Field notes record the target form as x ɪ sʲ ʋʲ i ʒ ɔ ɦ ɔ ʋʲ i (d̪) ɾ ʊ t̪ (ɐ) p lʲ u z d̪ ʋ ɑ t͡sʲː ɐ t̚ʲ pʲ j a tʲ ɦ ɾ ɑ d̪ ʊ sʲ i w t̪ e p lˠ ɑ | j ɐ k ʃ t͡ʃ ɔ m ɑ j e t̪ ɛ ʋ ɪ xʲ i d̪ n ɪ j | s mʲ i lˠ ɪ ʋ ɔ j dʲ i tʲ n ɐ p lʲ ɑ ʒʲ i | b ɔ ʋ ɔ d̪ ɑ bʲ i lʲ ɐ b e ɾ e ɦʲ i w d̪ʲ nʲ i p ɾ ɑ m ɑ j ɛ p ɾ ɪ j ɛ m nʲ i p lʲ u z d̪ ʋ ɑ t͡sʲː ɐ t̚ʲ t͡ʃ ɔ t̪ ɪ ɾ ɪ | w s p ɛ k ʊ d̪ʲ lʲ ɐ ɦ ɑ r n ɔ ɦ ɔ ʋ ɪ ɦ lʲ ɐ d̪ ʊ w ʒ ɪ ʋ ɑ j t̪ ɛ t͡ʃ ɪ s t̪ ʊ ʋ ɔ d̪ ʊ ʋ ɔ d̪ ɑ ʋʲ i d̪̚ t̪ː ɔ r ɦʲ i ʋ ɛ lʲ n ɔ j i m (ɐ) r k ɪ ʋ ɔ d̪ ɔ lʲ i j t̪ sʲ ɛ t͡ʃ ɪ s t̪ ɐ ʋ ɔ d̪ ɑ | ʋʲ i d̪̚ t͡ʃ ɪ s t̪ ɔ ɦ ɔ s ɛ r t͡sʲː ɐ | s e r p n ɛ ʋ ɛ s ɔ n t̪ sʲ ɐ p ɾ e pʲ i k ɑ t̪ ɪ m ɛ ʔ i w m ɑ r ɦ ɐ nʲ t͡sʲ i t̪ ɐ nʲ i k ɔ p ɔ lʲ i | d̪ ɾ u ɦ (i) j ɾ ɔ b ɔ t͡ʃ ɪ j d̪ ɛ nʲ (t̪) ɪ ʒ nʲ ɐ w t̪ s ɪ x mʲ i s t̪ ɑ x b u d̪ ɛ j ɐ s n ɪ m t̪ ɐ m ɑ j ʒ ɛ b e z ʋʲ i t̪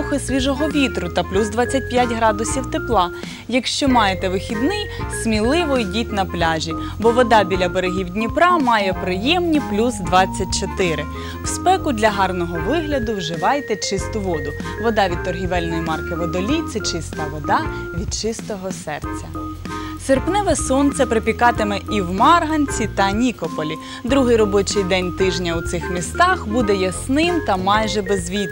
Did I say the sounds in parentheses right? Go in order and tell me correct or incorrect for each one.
incorrect: t̪, correct, incorrect: ɑ, incorrect: ɪ, correct

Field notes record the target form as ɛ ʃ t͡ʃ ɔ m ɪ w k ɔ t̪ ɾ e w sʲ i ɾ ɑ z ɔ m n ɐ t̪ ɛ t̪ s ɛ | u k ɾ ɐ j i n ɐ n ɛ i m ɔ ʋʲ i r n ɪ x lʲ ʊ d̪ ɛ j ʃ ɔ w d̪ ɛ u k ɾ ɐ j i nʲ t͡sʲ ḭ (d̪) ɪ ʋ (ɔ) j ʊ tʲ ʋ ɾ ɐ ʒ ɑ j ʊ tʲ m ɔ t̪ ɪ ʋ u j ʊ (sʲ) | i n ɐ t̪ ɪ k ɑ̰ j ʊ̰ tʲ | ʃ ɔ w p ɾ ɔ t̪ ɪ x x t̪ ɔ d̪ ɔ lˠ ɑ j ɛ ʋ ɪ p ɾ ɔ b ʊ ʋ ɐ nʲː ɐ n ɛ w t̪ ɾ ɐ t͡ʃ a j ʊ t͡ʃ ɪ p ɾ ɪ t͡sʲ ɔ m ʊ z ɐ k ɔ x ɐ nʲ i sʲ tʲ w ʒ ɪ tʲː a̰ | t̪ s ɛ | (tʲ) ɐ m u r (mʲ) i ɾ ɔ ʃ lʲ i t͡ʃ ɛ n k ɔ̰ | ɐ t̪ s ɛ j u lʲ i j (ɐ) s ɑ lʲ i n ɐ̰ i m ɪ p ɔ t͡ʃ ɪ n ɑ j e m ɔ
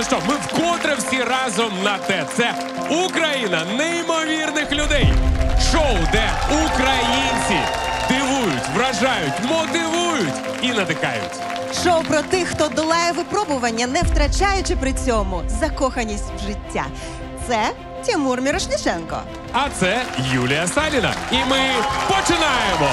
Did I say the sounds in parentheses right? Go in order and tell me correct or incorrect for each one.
correct, incorrect: u, incorrect: tʲ, correct, correct, correct

